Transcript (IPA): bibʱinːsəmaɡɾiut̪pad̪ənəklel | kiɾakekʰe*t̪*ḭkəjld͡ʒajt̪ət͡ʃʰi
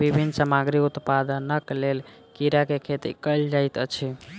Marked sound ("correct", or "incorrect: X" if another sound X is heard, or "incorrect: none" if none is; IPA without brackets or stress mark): correct